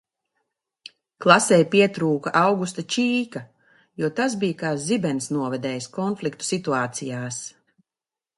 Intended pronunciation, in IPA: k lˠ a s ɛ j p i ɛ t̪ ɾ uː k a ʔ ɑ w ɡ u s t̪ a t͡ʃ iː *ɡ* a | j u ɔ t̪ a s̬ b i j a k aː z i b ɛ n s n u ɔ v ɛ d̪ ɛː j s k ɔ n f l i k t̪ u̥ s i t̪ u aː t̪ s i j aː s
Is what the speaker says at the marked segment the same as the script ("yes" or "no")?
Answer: no